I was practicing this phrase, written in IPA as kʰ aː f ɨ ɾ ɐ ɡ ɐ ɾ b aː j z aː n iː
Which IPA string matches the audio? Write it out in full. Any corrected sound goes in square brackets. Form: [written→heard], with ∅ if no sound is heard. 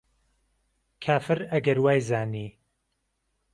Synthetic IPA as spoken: kʰ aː f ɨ ɾ ɐ ɡ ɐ ɾ [b→w] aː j z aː n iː